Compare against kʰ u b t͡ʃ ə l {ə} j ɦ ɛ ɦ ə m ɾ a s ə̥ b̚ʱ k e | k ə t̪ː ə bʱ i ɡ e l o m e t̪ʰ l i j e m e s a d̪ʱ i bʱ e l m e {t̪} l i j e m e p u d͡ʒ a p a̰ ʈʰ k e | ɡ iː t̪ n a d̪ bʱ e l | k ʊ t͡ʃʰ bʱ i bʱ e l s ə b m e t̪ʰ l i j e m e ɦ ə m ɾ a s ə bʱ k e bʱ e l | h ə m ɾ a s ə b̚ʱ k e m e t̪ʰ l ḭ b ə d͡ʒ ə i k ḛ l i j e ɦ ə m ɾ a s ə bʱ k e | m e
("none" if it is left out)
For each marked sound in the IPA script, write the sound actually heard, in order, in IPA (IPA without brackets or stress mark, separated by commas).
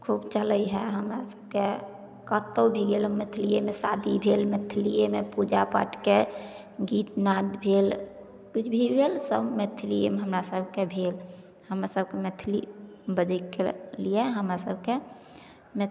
ə, t̪ʰ